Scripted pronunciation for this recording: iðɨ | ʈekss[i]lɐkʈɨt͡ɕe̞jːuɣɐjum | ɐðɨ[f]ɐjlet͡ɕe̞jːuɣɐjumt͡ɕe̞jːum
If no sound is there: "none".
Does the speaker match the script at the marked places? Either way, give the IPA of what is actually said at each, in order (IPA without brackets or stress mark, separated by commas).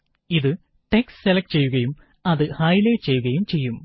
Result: e, h